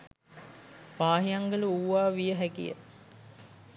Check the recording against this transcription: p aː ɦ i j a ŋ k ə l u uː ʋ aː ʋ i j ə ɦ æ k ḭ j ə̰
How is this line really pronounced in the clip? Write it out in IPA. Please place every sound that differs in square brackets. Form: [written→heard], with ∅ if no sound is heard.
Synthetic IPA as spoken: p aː ɦ i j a ŋ [k→ɡ] ə l u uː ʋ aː ʋ i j ə ɦ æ k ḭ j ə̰